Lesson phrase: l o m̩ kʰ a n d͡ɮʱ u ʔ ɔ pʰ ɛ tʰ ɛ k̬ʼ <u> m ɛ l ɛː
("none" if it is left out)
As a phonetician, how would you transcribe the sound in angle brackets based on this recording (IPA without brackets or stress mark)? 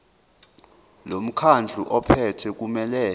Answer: u